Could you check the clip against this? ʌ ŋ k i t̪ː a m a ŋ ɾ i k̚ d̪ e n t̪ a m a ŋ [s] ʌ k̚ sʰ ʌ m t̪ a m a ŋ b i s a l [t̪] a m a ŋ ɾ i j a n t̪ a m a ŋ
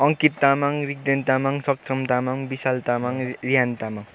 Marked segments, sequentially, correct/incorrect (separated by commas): correct, correct